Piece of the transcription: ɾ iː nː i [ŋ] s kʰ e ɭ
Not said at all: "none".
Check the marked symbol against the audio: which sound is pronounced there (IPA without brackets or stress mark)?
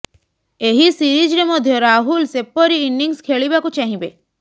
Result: ŋ